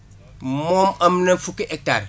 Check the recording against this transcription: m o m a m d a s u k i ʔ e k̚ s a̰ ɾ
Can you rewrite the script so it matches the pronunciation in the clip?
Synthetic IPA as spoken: m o m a m n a f u k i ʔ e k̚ t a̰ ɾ